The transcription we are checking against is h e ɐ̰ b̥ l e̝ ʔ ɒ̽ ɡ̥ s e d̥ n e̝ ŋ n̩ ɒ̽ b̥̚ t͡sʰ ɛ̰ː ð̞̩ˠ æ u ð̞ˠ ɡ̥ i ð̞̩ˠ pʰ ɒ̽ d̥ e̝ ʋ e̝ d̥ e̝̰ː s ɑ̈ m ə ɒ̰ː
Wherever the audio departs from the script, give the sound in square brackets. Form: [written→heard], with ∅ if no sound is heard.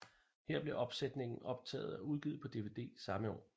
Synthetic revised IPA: h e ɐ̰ b̥ l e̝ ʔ ɒ̽ [ɡ̥→b̥] s e d̥ n e̝ ŋ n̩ ɒ̽ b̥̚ t͡sʰ ɛ̰ː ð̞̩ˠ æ u ð̞ˠ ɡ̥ i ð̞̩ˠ pʰ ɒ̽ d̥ e̝ ʋ e̝ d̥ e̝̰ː s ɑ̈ m ə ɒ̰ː